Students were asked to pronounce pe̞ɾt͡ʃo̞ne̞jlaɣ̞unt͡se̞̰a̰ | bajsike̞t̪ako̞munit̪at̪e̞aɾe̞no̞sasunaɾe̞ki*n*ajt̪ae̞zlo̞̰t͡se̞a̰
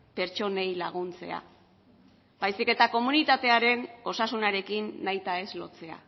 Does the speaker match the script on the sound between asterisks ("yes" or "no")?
no